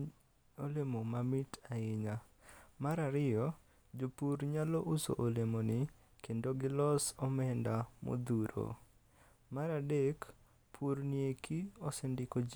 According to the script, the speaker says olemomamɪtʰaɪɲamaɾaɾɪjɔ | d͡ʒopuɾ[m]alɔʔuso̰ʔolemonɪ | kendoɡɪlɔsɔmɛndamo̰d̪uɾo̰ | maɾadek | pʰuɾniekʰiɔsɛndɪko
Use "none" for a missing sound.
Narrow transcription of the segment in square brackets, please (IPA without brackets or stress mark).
ɲ